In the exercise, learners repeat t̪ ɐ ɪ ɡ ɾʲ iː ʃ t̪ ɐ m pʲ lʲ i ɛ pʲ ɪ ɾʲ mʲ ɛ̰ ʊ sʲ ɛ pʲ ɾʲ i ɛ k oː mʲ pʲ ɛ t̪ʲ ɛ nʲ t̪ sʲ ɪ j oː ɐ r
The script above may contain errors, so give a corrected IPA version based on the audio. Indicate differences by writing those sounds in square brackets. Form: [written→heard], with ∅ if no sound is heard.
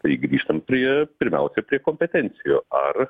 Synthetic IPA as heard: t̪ ɐ ɪ ɡ ɾʲ iː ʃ t̪ ɐ m pʲ [lʲ→ɾʲ] i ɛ pʲ ɪ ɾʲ mʲ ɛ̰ ʊ sʲ ɛ pʲ ɾʲ i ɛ k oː mʲ pʲ ɛ t̪ʲ ɛ nʲ t̪ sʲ ɪ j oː ɐ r